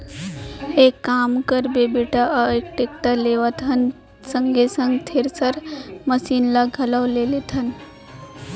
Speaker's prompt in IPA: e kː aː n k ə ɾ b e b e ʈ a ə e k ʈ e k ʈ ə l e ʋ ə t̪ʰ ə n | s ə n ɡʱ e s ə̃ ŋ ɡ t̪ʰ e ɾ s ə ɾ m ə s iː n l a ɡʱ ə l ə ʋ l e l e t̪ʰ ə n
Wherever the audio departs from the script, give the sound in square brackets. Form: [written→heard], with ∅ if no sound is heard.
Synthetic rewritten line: e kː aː [n→m] k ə ɾ b e b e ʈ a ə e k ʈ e k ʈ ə l e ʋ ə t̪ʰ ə n | s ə [n→ŋ] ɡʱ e s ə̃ ŋ ɡ t̪ʰ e ɾ s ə ɾ m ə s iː n l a ɡʱ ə l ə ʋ l e l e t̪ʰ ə n